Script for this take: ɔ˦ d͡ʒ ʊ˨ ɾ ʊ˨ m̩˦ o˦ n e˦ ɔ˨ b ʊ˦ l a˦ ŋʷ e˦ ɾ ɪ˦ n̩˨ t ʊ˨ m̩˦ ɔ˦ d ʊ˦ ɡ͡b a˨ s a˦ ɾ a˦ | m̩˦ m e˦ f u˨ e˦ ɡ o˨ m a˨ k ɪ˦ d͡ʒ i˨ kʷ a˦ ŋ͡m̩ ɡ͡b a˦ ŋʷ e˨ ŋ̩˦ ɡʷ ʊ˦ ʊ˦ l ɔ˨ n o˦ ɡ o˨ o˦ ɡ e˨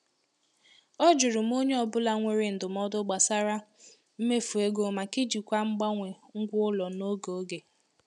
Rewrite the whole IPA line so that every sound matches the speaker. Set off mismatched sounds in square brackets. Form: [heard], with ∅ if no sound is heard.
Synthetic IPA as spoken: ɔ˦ d͡ʒ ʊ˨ ɾ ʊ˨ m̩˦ o˦ [ɲ] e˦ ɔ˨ b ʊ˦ l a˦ ŋʷ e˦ ɾ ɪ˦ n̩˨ [d] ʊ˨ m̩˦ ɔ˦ d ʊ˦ ɡ͡b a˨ s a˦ ɾ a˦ | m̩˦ m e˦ f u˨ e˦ ɡ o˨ m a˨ k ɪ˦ d͡ʒ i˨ kʷ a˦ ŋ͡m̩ ɡ͡b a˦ ŋʷ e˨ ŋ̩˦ ɡʷ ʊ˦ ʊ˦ l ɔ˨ n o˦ ɡ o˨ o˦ ɡ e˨